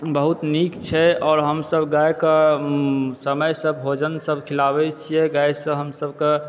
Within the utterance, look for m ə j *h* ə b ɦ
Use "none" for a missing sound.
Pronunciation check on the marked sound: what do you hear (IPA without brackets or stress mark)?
s